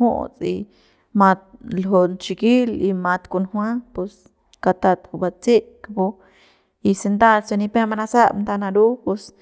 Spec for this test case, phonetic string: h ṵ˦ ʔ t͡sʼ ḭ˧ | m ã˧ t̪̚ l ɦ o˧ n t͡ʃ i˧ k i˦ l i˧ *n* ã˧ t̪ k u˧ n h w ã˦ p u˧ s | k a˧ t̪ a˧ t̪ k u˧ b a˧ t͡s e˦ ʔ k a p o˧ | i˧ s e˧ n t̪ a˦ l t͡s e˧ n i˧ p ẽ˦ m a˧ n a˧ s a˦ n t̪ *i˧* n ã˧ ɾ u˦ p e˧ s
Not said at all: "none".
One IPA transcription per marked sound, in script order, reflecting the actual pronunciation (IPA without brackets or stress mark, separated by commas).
m, a˧